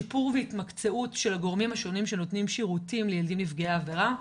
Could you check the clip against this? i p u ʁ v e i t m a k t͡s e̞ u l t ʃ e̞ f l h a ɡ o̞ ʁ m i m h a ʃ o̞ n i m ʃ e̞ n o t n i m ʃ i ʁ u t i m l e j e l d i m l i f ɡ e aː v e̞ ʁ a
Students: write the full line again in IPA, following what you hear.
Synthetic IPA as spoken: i p u ʁ v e i t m a k t͡s e̞ u t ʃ e̞ l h a ɡ o̞ ʁ m i m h a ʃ o̞ n i m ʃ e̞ n o t n i m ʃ i ʁ u t i m l e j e l d i m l i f ɡ e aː v e̞ ʁ a

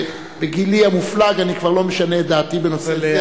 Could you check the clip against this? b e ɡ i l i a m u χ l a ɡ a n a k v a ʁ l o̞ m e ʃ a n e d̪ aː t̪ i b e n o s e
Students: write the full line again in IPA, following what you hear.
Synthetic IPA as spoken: b e ɡ i l i a m u f l a ɡ a n i k v a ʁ l o̞ m e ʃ a n e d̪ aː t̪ i b e n o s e

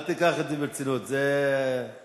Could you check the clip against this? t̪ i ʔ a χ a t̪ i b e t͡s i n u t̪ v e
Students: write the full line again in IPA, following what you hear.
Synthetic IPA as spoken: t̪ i k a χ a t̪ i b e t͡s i n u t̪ z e

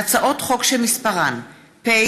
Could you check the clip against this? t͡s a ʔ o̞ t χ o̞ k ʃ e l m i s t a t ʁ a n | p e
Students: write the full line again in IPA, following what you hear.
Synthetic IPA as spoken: t͡s a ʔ o̞ t χ o̞ k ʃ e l m i s p a ʁ a n | p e

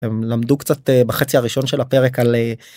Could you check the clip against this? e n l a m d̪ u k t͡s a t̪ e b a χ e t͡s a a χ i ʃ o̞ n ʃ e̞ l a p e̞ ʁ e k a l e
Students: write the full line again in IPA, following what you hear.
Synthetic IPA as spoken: e m l a m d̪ u k t͡s a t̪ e b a χ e t͡s i a ʁ i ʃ o̞ n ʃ e̞ l a p e̞ ʁ e k a l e

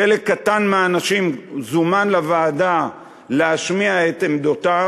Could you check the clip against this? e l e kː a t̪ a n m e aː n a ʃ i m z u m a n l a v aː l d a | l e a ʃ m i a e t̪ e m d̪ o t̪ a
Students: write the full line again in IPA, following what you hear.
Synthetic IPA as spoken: e l e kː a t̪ a n m e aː n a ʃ i m z u m a n l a v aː d a | l e a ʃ m i a e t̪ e m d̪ o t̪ a

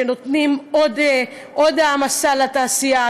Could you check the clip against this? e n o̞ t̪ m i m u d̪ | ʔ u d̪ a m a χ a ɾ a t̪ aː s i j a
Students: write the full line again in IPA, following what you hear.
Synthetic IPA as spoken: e n o̞ t̪ n i m o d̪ | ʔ o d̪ a m a s a l a t̪ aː s i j a

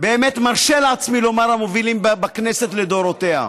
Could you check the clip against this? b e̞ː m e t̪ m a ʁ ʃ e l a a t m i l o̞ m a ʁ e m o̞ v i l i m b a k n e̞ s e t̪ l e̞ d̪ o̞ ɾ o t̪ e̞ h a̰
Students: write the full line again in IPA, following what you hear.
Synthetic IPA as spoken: b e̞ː m e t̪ m a ʁ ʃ e l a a t͡s m i l o̞ m a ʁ a m o̞ v i l i m b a k n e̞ s e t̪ l e̞ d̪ o̞ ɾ o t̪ e̞ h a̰

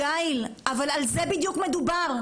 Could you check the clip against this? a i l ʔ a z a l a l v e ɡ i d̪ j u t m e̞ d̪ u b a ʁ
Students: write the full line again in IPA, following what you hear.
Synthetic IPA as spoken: a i l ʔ a v a l a l z e b i d̪ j u k m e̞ d̪ u b a ʁ

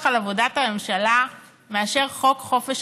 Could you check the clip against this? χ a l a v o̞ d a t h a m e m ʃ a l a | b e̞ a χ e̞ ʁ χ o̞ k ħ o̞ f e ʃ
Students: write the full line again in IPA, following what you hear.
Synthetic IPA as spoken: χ a l a v o̞ d a t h a m e m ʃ a l a | m e̞ a ʃ e̞ ʁ χ o̞ k χ o̞ f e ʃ

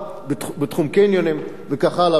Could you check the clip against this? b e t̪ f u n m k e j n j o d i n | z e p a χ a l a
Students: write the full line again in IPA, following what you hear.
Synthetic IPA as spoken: b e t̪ χ u m k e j n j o n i m | v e k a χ a l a

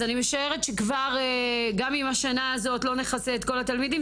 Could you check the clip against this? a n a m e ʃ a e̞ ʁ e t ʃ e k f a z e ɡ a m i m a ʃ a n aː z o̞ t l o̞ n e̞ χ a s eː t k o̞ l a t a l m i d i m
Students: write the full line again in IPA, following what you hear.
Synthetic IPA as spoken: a n i m e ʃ a e̞ ʁ e t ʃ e k v a ʁ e ɡ a m i m a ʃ a n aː z o̞ t l o̞ n e̞ χ a s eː t k o̞ l a t a l m i d i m

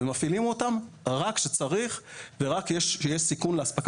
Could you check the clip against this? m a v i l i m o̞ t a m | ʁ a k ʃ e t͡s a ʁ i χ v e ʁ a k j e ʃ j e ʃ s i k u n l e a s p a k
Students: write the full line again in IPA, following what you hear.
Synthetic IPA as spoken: m a f i l i m o̞ t a m | ʁ a k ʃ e t͡s a ʁ i χ v e ʁ a k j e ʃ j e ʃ s i k u n l e a s p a k

